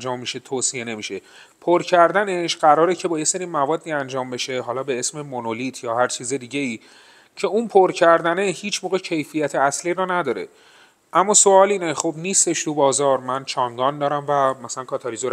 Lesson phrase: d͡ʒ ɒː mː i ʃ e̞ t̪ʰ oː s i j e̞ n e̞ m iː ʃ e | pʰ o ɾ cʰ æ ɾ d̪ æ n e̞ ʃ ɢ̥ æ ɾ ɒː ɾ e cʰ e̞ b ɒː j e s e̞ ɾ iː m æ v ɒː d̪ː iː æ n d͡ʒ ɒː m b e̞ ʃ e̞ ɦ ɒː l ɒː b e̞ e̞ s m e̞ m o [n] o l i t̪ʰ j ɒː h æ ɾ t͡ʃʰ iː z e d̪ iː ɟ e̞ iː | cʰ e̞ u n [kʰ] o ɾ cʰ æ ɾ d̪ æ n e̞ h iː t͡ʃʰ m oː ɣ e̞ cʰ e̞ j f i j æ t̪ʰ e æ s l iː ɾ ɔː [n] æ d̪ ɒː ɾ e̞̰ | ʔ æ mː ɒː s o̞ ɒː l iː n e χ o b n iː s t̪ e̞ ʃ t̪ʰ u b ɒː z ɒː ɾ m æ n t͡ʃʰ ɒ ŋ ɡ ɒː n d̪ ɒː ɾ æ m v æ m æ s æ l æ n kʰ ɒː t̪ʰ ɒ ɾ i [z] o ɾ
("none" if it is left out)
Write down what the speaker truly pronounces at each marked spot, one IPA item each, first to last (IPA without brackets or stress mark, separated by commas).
n, pʰ, n, z